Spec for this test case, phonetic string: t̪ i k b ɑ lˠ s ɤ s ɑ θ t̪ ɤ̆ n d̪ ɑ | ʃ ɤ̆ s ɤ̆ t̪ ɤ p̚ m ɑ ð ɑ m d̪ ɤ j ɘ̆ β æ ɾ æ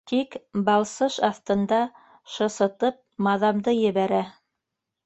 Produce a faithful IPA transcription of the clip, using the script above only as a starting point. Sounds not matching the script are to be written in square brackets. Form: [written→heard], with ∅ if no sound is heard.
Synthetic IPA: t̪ i k b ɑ lˠ s ɤ [s→ʃ] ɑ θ t̪ ɤ̆ n d̪ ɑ | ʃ ɤ̆ s ɤ̆ t̪ ɤ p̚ m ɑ ð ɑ m d̪ ɤ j ɘ̆ β æ ɾ æ

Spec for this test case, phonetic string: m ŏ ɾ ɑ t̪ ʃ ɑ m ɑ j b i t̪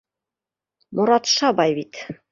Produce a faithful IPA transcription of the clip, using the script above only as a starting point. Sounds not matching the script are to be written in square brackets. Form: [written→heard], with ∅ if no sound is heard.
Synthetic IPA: m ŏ ɾ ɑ t̪ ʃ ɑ [m→b] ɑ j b i t̪

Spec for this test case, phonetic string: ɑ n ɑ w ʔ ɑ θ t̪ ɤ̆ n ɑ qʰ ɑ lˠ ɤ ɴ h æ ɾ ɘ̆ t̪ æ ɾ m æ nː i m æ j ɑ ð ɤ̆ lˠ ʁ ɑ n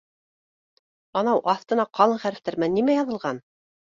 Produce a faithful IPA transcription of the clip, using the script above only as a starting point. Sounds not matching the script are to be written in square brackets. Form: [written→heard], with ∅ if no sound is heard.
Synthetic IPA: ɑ n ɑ w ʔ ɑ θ t̪ ɤ̆ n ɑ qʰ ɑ lˠ ɤ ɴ [h→χ] æ ɾ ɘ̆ t̪ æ ɾ m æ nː i m æ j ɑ ð ɤ̆ lˠ ʁ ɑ n

